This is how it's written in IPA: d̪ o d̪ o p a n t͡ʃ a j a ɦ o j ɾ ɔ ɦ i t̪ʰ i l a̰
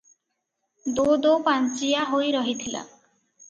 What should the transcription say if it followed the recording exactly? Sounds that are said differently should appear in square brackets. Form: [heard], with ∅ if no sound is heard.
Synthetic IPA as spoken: d̪ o d̪ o p a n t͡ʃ [i] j a ɦ o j ɾ ɔ ɦ i t̪ʰ i l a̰